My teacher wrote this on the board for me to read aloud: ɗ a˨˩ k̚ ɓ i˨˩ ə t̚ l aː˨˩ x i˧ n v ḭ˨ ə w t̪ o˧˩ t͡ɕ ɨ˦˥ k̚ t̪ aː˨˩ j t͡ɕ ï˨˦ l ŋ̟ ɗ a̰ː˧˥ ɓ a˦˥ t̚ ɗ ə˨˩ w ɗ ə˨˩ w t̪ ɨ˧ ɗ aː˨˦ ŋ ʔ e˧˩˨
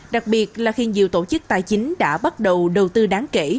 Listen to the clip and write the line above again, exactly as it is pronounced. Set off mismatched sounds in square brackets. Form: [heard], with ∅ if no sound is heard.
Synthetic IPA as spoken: ɗ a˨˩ k̚ ɓ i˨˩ ə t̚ l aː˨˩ x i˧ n [z] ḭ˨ ə w t̪ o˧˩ t͡ɕ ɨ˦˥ k̚ t̪ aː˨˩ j t͡ɕ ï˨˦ [∅] ŋ̟ ɗ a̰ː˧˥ ɓ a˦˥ t̚ ɗ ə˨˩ w ɗ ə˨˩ w t̪ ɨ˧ ɗ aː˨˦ ŋ [k] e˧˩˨

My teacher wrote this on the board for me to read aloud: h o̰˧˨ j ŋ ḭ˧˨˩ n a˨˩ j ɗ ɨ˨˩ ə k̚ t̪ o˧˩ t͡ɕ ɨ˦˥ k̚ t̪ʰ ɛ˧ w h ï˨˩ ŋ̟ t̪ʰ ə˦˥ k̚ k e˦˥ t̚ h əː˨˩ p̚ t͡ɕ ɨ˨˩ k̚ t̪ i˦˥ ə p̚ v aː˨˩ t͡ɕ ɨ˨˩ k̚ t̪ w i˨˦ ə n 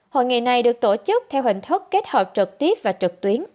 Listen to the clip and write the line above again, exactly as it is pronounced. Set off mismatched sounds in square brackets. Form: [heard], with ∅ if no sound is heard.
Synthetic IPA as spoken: h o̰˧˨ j ŋ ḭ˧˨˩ n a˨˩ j ɗ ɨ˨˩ ə k̚ t̪ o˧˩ t͡ɕ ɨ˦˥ k̚ t̪ʰ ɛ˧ w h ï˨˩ ŋ̟ t̪ʰ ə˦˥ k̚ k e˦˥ t̚ h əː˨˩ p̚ t͡ɕ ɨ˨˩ k̚ t̪ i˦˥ ə p̚ v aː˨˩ t͡ɕ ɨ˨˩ k̚ t̪ w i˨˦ ə n

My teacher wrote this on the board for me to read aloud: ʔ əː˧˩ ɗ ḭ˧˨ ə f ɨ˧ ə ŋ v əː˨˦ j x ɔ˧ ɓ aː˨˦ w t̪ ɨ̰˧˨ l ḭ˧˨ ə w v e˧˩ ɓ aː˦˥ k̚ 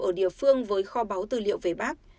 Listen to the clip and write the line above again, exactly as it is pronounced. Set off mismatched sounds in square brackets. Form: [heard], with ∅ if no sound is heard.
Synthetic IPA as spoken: ʔ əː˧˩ ɗ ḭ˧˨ ə f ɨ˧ ə ŋ v əː˨˦ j x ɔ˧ ɓ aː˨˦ w t̪ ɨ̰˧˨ l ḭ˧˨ ə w v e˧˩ ɓ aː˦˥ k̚

